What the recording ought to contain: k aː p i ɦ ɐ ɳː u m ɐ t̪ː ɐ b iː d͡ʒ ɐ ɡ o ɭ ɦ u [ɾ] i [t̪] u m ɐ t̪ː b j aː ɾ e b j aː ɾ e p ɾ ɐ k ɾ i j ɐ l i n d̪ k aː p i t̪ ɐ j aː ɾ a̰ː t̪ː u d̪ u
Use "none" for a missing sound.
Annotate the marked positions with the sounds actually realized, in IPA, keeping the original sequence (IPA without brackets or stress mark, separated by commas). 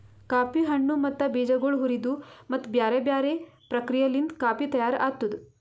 ɾ, d̪